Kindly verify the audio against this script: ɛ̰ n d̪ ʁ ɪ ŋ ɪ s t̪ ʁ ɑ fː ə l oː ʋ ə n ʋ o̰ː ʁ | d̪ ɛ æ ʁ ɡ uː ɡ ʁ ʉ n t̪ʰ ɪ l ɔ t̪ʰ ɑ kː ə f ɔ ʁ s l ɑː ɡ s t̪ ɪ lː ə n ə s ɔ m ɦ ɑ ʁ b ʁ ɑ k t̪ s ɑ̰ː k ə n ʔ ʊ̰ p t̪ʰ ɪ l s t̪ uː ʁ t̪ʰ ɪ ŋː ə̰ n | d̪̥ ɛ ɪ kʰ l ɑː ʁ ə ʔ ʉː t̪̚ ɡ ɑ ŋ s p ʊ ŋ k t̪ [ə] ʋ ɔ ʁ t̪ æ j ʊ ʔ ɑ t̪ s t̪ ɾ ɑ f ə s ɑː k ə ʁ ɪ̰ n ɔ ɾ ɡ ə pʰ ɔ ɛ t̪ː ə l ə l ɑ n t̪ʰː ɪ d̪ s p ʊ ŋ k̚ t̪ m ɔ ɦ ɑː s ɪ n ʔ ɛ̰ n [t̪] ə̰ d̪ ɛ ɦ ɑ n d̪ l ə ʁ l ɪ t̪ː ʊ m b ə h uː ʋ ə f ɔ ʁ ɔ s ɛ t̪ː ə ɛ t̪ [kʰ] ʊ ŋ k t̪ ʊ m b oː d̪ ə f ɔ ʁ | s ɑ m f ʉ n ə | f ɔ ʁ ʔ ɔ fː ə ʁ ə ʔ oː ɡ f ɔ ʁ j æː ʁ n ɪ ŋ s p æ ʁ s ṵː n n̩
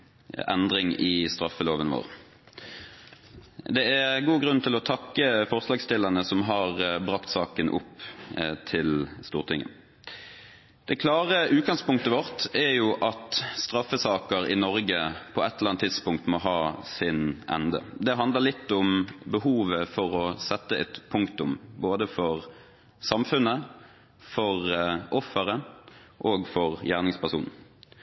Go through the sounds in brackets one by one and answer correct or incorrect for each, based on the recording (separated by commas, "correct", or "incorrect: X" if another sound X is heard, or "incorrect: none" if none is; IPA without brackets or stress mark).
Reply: correct, incorrect: d̪, incorrect: pʰ